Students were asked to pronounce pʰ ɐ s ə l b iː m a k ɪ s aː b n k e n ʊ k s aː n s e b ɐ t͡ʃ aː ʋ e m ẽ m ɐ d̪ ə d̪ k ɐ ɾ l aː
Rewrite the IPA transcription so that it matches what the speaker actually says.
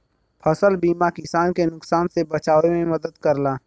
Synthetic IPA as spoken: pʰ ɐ s ə l b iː m a k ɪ s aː n k e n ʊ k s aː n s e b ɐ t͡ʃ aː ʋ e m ẽ m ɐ d̪ ə d̪ k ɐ ɾ l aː